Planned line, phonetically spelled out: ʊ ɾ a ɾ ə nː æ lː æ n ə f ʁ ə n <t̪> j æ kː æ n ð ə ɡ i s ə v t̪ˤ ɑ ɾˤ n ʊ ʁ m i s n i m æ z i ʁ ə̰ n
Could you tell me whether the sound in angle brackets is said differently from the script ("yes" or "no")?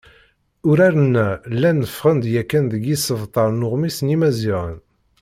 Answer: yes